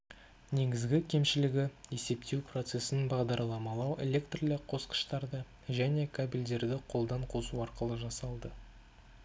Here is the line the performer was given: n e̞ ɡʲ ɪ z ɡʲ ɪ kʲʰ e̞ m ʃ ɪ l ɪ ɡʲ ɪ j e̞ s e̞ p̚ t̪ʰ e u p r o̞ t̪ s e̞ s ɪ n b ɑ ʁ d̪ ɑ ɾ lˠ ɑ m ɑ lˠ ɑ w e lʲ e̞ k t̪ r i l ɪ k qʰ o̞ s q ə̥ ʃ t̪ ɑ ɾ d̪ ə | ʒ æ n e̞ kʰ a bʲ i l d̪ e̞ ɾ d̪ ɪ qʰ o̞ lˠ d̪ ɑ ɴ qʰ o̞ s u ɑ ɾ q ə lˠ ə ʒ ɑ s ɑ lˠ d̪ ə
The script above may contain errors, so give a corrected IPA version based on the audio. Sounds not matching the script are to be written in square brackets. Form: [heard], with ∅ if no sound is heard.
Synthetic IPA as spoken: n e̞ ɡʲ ɪ z ɡʲ ɪ kʲʰ e̞ m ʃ ɪ l ɪ ɡʲ ɪ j e̞ s e̞ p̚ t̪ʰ e [w] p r o̞ t̪ s e̞ s ɪ n b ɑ ʁ d̪ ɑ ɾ lˠ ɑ m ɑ lˠ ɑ w e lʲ e̞ k t̪ r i l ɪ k qʰ o̞ s q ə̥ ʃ t̪ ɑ ɾ d̪ ə | ʒ æ n e̞ kʰ a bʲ i l d̪ e̞ ɾ d̪ ɪ qʰ o̞ lˠ d̪ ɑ ɴ qʰ o̞ s u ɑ ɾ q ə lˠ ə ʒ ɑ s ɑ lˠ d̪ ə